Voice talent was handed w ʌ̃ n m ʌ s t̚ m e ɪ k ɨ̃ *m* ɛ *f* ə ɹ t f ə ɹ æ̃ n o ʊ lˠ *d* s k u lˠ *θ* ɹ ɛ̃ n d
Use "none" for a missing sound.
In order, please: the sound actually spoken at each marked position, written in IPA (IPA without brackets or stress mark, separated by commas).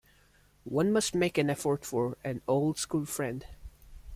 n, f, d, f